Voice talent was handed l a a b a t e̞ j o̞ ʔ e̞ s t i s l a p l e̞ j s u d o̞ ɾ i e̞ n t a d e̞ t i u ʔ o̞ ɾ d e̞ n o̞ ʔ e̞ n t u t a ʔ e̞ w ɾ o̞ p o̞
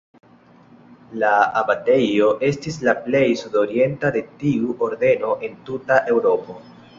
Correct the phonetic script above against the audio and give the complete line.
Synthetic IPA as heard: l a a b a t e̞ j o̞ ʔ e̞ s t i s l a p l e̞ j s u d o̞ ɾ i e̞ n t a d e̞ t i u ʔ o̞ ɾ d e̞ n o̞ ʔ e̞ n t u t a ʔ e̞ w ɾ o̞ p o̞